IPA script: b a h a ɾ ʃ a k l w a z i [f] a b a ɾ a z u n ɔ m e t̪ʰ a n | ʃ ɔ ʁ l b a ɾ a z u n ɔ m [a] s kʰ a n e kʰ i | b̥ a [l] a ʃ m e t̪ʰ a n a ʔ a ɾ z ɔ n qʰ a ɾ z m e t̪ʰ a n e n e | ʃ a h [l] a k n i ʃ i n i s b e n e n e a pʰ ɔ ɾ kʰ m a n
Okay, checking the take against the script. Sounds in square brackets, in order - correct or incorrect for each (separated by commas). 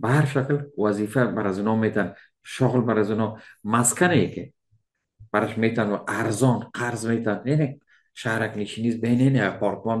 correct, correct, incorrect, incorrect